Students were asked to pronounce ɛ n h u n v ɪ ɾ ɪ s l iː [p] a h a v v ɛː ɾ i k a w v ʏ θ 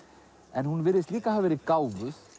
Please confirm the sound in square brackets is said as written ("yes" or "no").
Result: no